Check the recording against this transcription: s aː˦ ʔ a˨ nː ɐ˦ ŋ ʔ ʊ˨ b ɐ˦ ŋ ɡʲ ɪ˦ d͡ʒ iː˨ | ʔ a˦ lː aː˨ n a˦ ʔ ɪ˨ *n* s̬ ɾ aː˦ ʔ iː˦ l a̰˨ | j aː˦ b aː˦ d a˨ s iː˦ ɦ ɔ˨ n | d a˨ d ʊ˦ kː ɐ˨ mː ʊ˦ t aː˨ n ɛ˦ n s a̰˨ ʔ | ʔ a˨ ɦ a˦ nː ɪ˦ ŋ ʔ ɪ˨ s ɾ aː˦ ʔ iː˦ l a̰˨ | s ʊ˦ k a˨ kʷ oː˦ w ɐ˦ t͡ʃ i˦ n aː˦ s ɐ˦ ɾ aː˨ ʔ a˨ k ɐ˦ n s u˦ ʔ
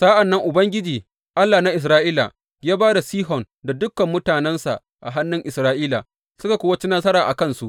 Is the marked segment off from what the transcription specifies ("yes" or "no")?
yes